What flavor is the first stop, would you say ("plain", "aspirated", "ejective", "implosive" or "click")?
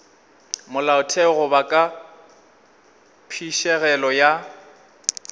aspirated